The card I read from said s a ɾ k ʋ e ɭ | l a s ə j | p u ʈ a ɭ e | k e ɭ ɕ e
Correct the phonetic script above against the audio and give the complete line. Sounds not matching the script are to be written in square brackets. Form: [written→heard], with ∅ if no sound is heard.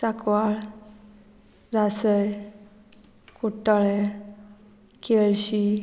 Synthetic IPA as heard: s a [ɾ→∅] k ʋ [e→a] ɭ | [l→ɾ] a s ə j | [p→k] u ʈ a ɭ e | k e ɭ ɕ [e→i]